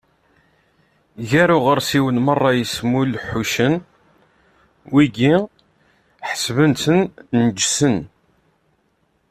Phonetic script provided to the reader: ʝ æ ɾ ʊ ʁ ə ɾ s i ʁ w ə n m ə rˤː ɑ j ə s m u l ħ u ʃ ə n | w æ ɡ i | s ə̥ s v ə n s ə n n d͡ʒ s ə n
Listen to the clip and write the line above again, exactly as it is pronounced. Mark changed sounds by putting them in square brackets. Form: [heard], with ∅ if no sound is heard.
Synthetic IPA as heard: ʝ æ ɾ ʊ ʁ ə ɾ s i [∅] w ə n m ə rˤː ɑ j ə s m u l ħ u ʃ ə n | w [i] ɡ i | [ħ] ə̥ s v ə n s ə n n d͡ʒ s ə n